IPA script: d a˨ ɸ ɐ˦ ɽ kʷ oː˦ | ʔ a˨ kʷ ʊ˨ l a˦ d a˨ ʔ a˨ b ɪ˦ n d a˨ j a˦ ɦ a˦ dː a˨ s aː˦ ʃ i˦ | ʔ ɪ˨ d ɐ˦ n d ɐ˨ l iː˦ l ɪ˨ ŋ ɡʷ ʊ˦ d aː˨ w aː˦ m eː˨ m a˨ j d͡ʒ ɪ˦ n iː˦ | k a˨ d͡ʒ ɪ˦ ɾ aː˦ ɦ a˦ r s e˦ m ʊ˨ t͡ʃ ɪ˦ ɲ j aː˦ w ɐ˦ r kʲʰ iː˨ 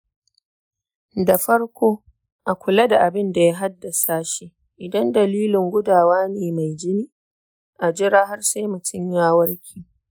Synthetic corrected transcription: d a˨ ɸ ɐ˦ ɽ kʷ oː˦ | ʔ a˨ kʷ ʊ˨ l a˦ d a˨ ʔ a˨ b ɪ˦ n d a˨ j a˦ ɦ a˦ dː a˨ s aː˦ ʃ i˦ | ʔ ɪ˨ d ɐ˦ n d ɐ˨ l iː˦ l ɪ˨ ŋ ɡʷ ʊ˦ d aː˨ w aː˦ n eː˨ m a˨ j d͡ʒ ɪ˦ n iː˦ | ʔ a˨ d͡ʒ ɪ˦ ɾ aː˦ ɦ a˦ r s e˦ m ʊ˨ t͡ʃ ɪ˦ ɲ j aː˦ w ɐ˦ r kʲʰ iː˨